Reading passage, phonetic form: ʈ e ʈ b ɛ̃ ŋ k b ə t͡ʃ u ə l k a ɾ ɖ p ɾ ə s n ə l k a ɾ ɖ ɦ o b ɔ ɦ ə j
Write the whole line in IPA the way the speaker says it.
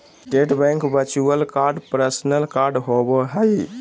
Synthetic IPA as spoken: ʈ e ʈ b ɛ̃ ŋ k b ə t͡ʃ u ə l k a ɾ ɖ p ɾ ə s n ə l k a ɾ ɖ ɦ o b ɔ ɦ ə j